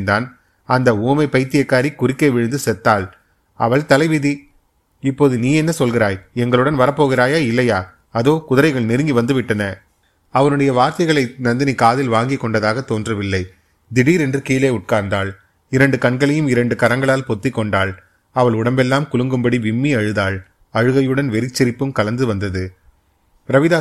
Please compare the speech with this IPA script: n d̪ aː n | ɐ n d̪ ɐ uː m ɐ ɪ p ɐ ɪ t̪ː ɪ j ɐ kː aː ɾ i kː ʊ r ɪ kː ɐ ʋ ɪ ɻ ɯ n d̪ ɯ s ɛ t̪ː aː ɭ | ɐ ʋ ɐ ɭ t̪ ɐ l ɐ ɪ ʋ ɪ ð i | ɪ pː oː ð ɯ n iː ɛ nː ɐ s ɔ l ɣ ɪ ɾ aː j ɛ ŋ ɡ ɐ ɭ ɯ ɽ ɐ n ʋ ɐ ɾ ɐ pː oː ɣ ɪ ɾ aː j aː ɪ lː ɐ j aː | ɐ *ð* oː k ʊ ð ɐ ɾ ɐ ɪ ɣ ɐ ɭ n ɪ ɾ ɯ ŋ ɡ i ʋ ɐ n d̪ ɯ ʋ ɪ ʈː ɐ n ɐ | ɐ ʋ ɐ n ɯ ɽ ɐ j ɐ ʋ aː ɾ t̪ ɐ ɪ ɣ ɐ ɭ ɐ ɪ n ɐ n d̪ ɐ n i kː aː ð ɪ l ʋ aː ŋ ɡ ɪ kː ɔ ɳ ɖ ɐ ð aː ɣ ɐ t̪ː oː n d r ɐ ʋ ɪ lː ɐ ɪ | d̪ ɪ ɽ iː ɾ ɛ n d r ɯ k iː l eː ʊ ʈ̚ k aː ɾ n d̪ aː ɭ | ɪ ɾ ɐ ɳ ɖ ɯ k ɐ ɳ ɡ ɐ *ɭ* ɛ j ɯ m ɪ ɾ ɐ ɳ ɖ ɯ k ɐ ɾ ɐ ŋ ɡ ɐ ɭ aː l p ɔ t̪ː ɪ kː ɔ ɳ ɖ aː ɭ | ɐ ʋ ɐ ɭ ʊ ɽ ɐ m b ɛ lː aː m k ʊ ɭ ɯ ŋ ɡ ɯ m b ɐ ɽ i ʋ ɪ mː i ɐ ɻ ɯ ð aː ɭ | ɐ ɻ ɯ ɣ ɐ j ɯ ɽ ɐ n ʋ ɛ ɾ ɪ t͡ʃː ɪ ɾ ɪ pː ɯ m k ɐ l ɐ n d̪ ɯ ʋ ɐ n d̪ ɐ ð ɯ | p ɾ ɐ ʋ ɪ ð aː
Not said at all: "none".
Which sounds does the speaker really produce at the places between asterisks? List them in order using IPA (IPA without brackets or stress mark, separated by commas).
ð, ɭ